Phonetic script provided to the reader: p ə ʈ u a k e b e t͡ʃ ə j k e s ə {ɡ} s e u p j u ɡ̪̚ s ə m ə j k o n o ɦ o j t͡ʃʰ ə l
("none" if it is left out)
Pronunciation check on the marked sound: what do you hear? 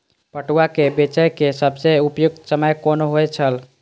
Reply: b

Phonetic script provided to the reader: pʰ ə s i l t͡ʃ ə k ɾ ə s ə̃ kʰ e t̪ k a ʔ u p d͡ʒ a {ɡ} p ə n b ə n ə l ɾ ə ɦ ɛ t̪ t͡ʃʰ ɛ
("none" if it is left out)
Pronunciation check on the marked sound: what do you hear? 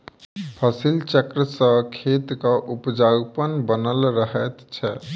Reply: ɡ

